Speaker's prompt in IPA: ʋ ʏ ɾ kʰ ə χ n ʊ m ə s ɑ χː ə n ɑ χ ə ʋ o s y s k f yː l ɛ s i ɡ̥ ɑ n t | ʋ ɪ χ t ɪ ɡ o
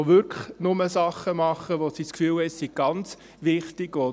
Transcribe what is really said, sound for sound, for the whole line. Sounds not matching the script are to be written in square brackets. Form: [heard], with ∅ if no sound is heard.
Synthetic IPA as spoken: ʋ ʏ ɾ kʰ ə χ n ʊ m ə s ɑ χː ə [m] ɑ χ ə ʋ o s [i] s k f yː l ɛ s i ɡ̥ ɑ n [t͡s] | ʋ ɪ χ t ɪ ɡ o